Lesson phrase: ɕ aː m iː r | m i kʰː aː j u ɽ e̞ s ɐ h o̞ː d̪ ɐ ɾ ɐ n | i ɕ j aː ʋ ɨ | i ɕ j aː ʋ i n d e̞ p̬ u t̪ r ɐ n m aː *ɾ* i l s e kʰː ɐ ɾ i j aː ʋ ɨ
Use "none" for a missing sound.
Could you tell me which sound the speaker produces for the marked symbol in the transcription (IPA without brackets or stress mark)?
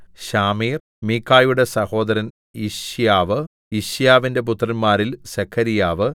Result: ɾ